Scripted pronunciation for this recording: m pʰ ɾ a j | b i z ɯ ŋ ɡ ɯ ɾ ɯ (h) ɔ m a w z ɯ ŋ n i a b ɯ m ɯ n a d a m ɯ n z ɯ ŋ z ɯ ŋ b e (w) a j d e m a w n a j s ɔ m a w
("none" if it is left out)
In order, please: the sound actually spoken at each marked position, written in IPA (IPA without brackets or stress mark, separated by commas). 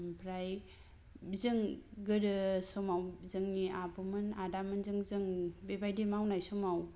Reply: s, b